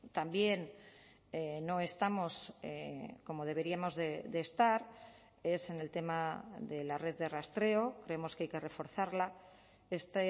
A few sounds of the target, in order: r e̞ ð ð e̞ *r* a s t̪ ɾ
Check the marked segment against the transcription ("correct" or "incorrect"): correct